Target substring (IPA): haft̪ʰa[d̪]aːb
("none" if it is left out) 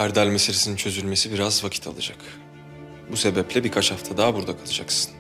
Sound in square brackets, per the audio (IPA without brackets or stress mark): d̪